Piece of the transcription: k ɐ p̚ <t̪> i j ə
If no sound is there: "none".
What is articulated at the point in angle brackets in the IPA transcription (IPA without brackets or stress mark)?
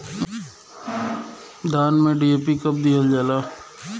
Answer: d̪